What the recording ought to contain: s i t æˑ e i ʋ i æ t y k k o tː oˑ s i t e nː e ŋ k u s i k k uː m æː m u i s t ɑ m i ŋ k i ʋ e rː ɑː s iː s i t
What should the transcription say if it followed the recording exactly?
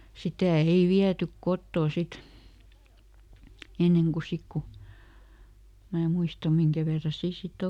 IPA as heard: s i t æˑ e i ʋ i æ t y k k o tː oˑ s i t e nː e ŋ k u s i k k u m æː m u i s t ɑ m i ŋ k æ ʋ e rː ɑ s iː s i t

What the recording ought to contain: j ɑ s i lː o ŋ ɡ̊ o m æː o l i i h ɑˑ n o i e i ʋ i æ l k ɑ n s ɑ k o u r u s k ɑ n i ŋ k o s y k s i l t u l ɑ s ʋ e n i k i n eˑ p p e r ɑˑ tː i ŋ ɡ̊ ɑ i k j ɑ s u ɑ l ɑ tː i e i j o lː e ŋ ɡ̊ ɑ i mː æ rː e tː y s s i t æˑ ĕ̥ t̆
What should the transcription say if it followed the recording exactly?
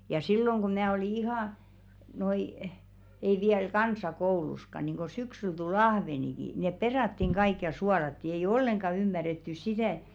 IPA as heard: j ɑ s i lː o ŋ ɡ̊ o m æː o l i i h ɑˑ n o i e i ʋ i æ l k ɑ n s ɑ k o u l u s k ɑ n i ŋ k o s y k s y l t u l ɑ h ʋ e n i k i n eˑ p p e r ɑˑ tː i ŋ ɡ̊ ɑ i k j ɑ s u ɑ l ɑ tː i e i j o lː e ŋ ɡ̊ ɑ y mː æ rː e tː y s s i t æˑ ĕ̥ t̆

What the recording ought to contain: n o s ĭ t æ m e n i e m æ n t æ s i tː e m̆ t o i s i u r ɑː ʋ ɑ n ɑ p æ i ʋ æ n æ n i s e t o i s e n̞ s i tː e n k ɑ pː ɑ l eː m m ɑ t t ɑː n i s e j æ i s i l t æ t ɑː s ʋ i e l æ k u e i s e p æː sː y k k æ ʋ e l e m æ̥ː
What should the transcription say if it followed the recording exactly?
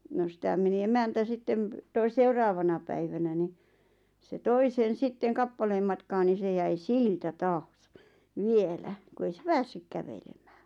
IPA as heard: n o s ĭ t æ m e n i e m æ n t æ s i tː e m̆ t o i s e u r ɑː ʋ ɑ n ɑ p æ i ʋ æ n æ n i s e t o i s e n̞ s i tː e ŋ k ɑ pː ɑ l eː m m ɑ t k ɑː n i s e j æ i s i l t æ t ɑː s ʋ i e l æ k u e i s e p æː sː y k k æ ʋ e l e m æ̥ː

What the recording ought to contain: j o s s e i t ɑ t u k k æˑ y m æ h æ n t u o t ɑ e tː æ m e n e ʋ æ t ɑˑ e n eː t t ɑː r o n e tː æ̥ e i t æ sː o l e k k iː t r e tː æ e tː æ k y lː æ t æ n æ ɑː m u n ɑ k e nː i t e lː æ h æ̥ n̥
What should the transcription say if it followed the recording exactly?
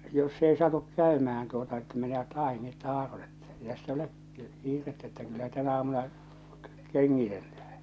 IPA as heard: j o s s e i s ɑ t u k k æˑ y m æ h æ n t u o t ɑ e tː æ m e n e ʋ æ t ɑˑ i n eː t t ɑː r o n e tː æ̥ e i t æ sː o l e k k iː r e tː æ e tː æ k y lː æ t æ n æ ɑː m u n ɑ k e ŋː i t e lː æ h æ̥ n̥

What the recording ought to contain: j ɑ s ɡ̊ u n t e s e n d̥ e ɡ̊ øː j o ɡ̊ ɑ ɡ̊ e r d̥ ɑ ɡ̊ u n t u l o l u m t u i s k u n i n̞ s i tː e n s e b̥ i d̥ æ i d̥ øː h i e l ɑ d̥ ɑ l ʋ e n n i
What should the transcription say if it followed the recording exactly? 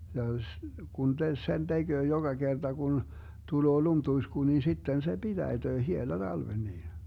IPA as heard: j ɑ s ɡ̊ u n t e s e n d̥ e ɡ̊ øː j o ɡ̊ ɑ ɡ̊ e r d̥ ɑ ɡ̊ u n t u l oː l u m t u i s k u n i n̞ s i tː e n s e b̥ i d̥ æ i d̥ øː h i e l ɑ d̥ ɑ l ʋ e n n iː

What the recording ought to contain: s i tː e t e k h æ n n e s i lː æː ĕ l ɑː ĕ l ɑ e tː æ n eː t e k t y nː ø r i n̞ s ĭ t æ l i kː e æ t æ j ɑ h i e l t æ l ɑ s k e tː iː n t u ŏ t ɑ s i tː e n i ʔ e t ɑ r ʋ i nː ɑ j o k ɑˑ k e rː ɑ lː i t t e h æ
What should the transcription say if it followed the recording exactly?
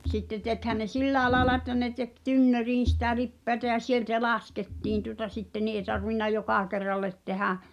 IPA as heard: s i tː e t e k h æ n n e s i lː æː ĕ l ɑː ĕ l ɑ e tː æ n e t e k t y nː ø r iː n̞ s ĭ t æ l i pː e æ t æ j ɑ s i e l t æ l ɑ s k e tː iː n t u ŏ t ɑ s i tː e n i ʔ e t ɑ r ʋ i nː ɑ j o k ɑˑ k e rː ɑ lː e t t e h æ

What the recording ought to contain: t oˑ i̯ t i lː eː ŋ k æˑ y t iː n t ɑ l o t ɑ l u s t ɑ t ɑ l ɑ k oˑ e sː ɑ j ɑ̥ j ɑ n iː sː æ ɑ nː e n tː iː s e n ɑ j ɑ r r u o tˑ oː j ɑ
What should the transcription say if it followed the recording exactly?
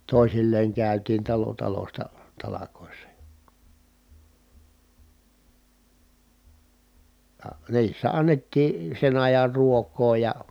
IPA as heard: t oˑ i̯ s i lː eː ŋ k æˑ y t iː n t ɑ l o t ɑ l o s t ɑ t ɑ l ɑ k oˑ i sː ɑ j ɑ̥ j ɑ n iː sː æ ɑ nː e tː iː s e n ɑ j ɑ r r u o kˑ oː j ɑ

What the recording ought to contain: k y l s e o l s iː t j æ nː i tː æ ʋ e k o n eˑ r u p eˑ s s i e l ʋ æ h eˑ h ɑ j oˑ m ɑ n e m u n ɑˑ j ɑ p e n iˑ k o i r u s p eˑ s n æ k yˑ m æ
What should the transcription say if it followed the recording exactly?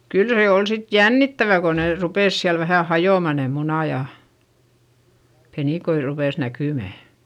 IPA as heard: k y l s e o l s i t j æ nː i tː æ ʋ æ k o n eˑ r u p eˑ s s i æ l ʋ æ h æˑ h ɑ j oˑ m ɑ n e m u n ɑˑ j ɑ p e n iˑ k o i r u p eˑ s n æ k yˑ m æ

